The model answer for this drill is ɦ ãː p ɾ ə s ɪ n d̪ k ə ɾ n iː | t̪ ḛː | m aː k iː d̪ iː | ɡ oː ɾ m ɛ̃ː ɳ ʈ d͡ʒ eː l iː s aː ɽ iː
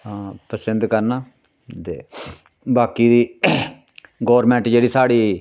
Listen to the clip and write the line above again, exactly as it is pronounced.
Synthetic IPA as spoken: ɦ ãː p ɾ ə s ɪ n d̪ k ə ɾ n aː | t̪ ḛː | b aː k iː d̪ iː | ɡ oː ɾ m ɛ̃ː ɳ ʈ d͡ʒ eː ɽ iː s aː ɽ iː